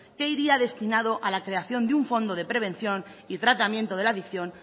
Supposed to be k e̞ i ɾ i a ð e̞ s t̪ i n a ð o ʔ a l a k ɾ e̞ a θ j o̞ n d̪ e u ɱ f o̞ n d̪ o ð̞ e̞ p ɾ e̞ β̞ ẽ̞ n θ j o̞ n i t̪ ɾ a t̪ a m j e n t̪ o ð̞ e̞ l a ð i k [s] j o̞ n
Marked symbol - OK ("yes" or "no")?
no